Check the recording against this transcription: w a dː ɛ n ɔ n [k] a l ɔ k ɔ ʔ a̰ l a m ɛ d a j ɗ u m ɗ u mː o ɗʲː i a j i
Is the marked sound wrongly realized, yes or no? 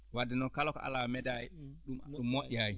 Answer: no